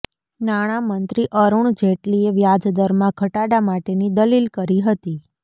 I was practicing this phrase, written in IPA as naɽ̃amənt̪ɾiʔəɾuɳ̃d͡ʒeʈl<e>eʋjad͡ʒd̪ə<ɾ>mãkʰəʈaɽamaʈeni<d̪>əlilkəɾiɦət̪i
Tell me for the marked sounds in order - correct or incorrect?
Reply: incorrect, correct, correct

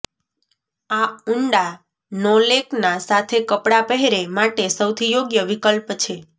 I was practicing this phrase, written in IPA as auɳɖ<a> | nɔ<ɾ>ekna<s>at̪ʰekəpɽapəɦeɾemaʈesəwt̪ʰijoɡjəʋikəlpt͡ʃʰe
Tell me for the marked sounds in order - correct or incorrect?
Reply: correct, incorrect, correct

